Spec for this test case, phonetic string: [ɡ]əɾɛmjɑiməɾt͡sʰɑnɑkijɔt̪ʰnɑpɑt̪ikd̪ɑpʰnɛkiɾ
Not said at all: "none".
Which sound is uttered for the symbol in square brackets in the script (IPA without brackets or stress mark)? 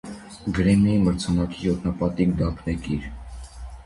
ɡ